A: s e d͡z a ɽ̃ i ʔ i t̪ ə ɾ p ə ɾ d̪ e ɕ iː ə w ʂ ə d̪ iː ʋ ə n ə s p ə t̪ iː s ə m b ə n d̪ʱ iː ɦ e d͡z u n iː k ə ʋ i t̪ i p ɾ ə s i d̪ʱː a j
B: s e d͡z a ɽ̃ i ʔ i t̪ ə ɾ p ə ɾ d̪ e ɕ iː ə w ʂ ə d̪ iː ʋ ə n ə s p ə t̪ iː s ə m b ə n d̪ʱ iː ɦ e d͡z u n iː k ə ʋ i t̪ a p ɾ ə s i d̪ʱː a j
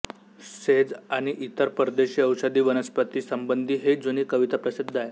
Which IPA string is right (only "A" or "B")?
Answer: B